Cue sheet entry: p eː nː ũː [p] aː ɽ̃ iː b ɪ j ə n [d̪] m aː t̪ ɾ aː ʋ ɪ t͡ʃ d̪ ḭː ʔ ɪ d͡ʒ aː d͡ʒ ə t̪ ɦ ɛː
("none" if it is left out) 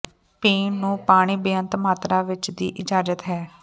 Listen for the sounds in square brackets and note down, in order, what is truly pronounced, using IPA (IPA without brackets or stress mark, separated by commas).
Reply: p, t̪